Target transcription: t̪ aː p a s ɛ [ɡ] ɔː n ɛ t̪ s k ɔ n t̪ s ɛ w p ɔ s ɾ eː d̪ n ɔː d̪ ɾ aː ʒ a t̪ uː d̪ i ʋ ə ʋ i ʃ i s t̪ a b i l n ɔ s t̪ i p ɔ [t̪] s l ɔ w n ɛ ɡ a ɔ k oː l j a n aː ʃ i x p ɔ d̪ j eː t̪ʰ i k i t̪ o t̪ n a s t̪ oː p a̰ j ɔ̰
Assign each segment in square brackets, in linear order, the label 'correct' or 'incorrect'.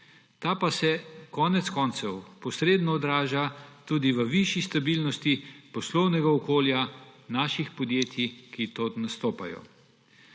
incorrect, incorrect

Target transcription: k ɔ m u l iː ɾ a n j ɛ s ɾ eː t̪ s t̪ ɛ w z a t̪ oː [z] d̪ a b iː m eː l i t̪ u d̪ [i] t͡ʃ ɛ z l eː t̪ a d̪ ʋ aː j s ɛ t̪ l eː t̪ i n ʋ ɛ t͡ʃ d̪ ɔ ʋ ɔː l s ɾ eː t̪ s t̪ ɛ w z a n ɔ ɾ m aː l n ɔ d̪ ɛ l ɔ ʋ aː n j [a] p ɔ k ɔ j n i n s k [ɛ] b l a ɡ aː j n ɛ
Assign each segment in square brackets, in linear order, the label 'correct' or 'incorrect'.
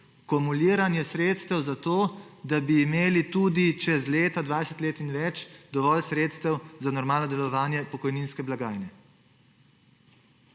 incorrect, correct, incorrect, correct

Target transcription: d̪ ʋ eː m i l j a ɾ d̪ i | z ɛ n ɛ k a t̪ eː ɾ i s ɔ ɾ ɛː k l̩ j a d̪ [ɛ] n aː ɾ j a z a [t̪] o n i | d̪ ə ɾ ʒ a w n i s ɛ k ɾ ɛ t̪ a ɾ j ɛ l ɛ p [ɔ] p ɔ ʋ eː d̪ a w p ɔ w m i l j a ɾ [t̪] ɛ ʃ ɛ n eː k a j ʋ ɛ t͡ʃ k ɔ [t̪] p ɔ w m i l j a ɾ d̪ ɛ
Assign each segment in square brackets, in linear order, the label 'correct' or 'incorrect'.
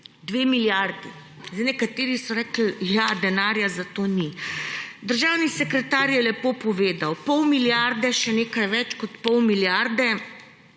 correct, correct, incorrect, incorrect, correct

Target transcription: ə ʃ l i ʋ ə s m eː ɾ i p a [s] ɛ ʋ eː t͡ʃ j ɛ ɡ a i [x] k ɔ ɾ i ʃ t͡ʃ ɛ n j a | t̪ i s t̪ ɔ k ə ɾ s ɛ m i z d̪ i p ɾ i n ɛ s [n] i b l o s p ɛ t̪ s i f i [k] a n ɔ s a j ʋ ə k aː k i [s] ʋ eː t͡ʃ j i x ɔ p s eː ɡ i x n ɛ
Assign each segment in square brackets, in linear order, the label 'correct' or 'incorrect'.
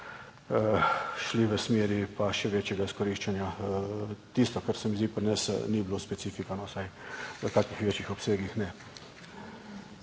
incorrect, incorrect, correct, correct, incorrect

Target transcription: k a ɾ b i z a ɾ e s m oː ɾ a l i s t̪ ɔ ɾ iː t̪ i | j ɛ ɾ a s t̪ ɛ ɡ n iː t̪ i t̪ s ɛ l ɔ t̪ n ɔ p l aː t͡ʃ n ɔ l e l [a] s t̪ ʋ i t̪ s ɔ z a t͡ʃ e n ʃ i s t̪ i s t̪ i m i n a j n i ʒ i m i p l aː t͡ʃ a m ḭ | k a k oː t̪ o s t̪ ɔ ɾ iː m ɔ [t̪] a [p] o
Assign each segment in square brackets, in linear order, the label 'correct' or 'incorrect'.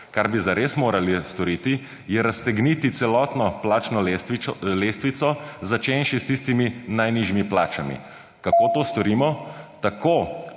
incorrect, correct, incorrect

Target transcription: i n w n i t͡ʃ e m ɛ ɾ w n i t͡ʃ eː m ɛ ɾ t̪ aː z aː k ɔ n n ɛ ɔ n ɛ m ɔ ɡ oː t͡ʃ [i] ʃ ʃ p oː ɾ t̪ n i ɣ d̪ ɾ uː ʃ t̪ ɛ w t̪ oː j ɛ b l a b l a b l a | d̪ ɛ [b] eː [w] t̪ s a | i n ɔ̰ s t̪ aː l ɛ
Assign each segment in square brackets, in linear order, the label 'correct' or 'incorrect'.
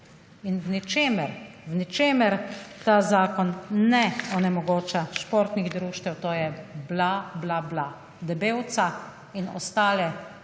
incorrect, correct, correct

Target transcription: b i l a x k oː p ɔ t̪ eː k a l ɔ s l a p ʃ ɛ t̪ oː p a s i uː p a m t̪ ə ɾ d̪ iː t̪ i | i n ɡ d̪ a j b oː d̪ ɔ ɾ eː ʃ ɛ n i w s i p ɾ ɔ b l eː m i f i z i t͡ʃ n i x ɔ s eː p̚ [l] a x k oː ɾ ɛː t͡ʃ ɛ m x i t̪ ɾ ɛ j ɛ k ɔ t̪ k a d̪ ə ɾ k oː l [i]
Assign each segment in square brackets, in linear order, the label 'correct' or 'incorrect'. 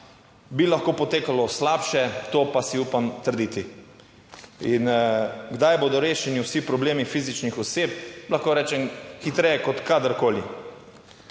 correct, correct

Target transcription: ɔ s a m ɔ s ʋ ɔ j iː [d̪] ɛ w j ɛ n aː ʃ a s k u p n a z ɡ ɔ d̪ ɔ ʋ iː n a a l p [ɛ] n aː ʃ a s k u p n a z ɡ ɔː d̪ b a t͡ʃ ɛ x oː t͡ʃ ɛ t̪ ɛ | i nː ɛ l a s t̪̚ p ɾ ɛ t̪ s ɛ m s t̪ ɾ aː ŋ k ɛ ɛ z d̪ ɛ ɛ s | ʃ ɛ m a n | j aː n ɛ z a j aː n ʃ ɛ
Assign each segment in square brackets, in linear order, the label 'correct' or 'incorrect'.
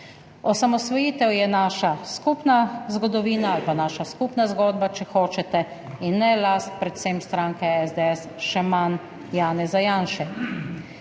incorrect, incorrect

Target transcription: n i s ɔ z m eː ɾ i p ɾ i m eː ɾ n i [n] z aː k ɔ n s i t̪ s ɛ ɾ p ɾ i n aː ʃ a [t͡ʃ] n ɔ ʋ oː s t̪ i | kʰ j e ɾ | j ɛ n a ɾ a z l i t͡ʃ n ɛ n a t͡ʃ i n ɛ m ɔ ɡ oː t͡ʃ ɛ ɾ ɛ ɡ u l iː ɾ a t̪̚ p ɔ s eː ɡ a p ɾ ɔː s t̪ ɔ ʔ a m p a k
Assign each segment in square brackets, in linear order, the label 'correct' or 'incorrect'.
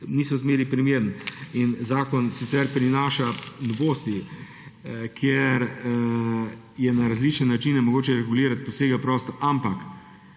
correct, incorrect

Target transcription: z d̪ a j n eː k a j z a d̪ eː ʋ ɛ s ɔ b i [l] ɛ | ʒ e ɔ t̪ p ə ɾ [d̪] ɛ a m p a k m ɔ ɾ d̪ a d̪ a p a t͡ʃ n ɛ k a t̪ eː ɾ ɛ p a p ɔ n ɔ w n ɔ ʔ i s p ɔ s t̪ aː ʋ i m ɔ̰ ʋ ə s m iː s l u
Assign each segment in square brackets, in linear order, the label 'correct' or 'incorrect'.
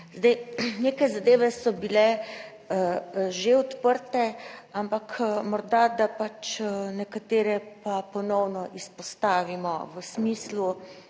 correct, incorrect

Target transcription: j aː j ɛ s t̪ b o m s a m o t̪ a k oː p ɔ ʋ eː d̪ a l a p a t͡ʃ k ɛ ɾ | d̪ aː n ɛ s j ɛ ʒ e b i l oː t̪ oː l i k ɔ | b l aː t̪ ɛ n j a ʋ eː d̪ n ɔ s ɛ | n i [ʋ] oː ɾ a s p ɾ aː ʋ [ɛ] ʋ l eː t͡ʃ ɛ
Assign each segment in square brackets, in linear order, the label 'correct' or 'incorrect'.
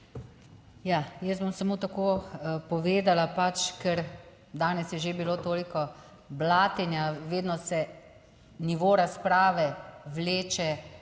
correct, correct

